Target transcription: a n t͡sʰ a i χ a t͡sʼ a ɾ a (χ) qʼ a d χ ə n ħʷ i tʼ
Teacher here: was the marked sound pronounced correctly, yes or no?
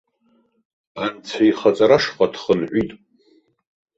no